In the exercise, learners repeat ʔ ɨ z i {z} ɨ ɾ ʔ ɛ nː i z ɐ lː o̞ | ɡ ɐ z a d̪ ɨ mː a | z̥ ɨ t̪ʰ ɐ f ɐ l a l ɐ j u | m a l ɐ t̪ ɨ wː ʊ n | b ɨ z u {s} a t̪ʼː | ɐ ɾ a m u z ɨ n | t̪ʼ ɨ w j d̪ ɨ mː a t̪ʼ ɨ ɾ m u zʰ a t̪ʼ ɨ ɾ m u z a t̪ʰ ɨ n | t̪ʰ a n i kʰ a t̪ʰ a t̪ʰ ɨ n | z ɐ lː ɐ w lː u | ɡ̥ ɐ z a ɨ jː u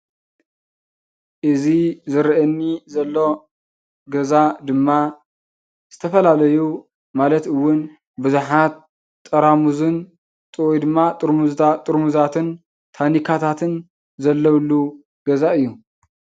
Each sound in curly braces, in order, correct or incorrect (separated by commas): correct, incorrect